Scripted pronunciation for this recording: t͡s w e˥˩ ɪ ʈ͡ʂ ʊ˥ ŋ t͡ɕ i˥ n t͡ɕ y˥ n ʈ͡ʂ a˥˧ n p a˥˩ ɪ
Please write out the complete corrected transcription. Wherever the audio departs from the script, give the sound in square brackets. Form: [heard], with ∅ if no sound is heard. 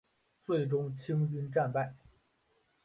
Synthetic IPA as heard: t͡s w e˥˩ ɪ ʈ͡ʂ ʊ˥ ŋ [t͡ɕʰ] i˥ [ŋ] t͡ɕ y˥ n ʈ͡ʂ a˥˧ n p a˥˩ ɪ